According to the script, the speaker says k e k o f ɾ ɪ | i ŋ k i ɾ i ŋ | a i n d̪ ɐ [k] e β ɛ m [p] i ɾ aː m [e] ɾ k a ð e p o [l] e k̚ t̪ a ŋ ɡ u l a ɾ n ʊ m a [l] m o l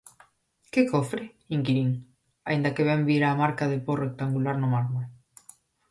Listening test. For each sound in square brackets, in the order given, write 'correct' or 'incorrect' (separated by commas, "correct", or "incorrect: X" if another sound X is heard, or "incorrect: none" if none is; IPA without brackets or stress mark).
correct, incorrect: b, incorrect: a, incorrect: r, incorrect: ɾ